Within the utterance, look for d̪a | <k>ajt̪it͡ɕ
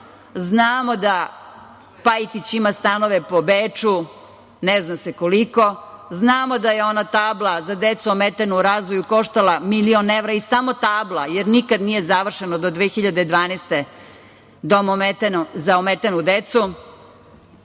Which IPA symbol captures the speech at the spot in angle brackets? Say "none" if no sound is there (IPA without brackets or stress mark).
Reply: p